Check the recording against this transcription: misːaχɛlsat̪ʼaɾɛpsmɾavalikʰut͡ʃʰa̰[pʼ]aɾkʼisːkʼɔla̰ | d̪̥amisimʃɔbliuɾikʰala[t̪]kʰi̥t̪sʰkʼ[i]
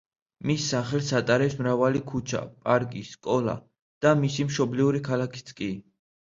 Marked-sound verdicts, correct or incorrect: correct, incorrect, correct

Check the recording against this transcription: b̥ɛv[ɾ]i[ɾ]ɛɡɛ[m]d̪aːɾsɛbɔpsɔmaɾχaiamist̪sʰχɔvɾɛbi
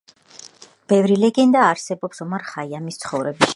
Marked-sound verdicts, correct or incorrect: correct, incorrect, incorrect

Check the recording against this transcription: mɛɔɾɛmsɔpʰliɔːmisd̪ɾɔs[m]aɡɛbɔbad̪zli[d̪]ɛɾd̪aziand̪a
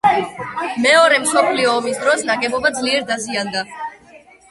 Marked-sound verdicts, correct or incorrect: incorrect, incorrect

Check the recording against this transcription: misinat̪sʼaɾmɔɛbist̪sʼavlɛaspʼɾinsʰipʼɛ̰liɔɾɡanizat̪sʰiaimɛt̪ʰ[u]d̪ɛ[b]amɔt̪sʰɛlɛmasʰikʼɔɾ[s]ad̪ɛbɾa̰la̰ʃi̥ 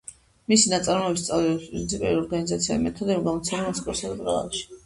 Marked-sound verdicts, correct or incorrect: incorrect, incorrect, correct

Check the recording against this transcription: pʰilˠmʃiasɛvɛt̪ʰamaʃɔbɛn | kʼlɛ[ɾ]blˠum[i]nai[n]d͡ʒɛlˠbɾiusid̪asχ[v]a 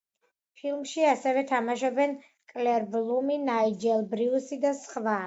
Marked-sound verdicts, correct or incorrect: correct, correct, incorrect, correct

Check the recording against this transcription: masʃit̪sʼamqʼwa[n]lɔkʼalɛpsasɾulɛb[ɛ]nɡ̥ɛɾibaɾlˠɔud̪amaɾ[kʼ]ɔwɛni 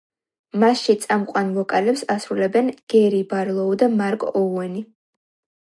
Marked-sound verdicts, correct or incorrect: correct, correct, correct

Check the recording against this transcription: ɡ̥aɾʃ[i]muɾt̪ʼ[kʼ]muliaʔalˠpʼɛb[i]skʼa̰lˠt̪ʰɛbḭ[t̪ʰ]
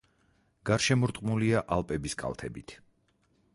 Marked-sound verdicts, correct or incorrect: incorrect, incorrect, correct, correct

